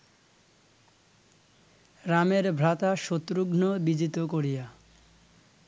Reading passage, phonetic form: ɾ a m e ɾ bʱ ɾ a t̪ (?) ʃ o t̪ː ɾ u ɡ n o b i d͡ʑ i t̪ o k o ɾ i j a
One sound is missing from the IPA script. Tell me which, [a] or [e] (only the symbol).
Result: a